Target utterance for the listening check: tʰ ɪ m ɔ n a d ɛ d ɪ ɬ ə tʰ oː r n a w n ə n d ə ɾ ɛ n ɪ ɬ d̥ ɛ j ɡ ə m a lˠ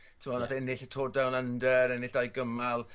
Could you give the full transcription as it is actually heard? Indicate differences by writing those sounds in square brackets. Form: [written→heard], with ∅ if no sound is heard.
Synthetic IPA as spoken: tʰ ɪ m ɔ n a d ɛ [d→n] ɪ ɬ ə tʰ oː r [n→d] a w n ə n d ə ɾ ɛ n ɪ ɬ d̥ [ɛ→a] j ɡ ə m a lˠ